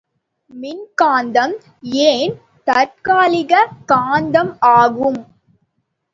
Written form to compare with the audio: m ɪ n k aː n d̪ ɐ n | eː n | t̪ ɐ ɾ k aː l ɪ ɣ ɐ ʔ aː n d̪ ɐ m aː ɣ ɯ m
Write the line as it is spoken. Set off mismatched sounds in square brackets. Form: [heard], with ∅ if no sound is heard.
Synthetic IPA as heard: m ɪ n k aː n d̪ ɐ [m] | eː n | t̪ ɐ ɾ k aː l ɪ ɣ ɐ [k] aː n d̪ ɐ m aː ɣ ɯ m